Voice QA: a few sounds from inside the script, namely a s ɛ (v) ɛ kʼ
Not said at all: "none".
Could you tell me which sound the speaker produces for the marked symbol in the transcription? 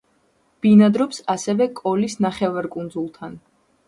v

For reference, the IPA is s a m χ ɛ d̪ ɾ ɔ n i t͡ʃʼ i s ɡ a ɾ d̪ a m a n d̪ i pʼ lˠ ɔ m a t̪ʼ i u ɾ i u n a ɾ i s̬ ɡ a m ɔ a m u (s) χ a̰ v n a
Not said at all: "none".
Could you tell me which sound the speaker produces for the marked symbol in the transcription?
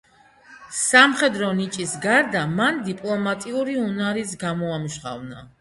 ʃ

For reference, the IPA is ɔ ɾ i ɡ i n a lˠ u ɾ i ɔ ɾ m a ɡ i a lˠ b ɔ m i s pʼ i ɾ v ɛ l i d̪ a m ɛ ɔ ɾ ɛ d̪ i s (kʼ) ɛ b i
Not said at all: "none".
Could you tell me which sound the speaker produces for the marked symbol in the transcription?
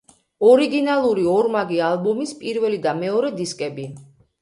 kʼ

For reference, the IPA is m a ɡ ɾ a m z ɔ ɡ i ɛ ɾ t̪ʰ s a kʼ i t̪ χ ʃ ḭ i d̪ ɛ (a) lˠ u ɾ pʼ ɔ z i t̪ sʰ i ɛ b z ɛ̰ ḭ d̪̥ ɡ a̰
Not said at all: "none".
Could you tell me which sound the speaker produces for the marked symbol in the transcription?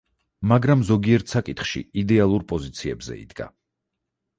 a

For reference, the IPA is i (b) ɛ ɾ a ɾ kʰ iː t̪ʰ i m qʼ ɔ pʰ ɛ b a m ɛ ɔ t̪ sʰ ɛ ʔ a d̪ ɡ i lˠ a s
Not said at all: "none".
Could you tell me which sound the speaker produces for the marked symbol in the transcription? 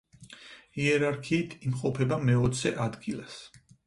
none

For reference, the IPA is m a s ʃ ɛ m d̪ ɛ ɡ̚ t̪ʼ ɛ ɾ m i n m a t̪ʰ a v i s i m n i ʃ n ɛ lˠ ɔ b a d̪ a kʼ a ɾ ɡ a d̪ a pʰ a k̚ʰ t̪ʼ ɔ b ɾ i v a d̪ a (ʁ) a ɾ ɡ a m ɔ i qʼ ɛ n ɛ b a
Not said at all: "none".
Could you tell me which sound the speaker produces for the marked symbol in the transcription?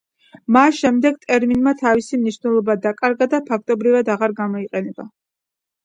ʁ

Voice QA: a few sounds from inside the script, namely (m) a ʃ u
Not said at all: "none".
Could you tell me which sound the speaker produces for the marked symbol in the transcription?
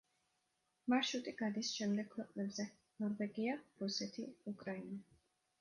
m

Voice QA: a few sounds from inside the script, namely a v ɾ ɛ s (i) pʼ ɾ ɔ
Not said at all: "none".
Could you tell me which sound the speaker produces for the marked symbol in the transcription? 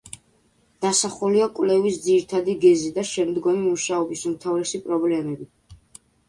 i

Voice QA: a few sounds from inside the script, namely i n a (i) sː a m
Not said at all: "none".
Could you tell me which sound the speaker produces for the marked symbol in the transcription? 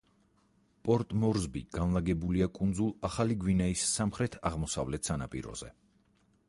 i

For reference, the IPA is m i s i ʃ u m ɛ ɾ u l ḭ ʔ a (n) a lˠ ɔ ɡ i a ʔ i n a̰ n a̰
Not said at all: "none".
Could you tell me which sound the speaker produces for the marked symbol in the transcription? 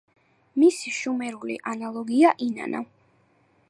n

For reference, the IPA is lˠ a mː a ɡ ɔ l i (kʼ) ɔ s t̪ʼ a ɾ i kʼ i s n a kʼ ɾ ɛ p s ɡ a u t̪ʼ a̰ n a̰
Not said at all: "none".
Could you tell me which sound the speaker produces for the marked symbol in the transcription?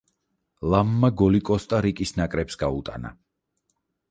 kʼ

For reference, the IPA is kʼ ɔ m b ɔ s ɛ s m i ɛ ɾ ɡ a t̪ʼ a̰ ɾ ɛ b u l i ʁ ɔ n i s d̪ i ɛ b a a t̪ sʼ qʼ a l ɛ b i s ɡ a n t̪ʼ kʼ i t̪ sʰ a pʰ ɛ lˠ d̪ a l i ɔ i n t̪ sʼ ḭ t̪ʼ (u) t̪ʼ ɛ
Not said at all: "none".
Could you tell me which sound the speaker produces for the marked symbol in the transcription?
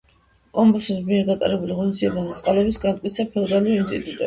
u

